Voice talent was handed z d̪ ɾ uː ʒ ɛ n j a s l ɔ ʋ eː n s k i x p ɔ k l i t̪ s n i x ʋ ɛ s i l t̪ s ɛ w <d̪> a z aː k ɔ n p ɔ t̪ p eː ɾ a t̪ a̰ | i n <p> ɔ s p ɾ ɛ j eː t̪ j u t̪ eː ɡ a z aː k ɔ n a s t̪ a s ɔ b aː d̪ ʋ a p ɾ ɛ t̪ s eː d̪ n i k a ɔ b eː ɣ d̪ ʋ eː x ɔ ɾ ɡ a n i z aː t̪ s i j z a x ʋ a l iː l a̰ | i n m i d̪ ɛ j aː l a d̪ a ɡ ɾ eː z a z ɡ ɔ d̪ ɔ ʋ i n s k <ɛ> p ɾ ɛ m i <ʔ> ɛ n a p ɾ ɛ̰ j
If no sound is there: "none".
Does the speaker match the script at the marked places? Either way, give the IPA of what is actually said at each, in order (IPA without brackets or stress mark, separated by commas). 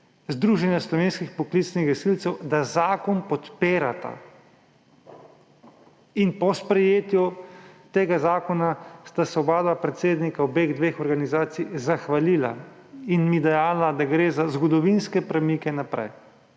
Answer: d̪, p, ɛ, k